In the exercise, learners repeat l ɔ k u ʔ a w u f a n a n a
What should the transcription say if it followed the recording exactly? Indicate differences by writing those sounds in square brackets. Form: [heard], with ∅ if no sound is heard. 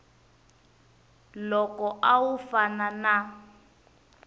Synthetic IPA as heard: l ɔ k [ɔ] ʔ a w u f a n a n a